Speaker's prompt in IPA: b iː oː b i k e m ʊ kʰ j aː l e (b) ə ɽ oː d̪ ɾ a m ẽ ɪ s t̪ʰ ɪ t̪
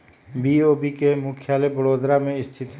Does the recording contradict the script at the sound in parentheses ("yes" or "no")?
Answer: no